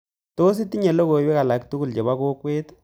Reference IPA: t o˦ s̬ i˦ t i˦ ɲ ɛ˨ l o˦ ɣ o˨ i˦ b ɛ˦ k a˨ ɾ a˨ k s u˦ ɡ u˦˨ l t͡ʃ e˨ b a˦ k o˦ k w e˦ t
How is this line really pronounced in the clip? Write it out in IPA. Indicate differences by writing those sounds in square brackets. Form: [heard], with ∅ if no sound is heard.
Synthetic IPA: t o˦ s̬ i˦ t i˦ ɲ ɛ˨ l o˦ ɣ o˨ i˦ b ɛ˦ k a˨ [l] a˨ k [t] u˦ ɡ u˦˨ l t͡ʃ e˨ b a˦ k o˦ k w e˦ t